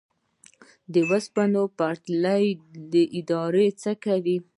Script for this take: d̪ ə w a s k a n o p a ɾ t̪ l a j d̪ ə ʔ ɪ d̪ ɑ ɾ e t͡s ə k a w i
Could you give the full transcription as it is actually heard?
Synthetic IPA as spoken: d̪ ə w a s p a n o p a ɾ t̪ l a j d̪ ə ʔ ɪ d̪ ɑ ɾ e t͡s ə k a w i